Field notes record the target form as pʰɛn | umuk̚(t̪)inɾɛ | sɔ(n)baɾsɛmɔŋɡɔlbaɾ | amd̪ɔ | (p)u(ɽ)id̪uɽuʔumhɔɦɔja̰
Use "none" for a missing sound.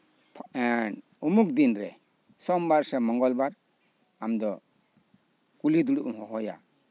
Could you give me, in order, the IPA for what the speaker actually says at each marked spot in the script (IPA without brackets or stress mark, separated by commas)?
d̪, m, k, l